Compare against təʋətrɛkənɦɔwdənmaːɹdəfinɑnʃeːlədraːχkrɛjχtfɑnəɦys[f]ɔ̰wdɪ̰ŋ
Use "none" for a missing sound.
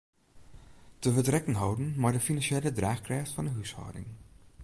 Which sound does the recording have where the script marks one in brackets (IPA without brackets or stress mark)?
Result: h